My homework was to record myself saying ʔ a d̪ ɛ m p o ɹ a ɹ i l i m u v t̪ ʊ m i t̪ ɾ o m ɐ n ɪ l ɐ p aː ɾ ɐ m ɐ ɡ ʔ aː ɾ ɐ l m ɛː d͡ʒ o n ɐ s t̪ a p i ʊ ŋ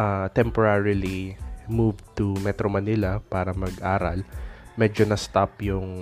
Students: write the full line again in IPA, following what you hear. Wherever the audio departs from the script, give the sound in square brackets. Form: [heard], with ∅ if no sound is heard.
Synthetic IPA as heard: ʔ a [t̪] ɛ m p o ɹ a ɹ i l i m u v t̪ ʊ m [ɛ] t̪ ɾ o m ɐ n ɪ l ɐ p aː ɾ ɐ m ɐ ɡ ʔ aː ɾ ɐ l m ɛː d͡ʒ o n ɐ s t̪ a p [j] ʊ ŋ